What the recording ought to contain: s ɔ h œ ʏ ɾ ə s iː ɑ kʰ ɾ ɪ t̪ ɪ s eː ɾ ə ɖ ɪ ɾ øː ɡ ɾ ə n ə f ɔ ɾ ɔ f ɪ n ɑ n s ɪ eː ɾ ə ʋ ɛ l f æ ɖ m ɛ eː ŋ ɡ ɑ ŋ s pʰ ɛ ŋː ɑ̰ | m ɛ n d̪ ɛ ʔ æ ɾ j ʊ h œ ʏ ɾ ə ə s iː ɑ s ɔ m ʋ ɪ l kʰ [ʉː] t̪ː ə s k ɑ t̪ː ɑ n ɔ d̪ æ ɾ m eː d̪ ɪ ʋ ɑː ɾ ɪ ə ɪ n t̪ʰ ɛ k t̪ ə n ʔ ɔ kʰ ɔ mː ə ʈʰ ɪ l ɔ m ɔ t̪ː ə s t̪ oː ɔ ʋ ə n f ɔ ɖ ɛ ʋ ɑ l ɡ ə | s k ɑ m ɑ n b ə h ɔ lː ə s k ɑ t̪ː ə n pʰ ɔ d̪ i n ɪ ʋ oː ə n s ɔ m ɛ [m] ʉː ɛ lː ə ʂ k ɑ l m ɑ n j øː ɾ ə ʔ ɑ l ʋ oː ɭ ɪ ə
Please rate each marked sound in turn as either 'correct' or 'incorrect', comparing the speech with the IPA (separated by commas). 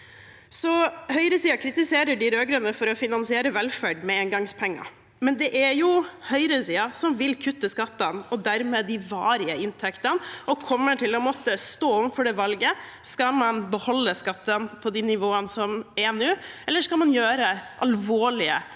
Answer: incorrect, incorrect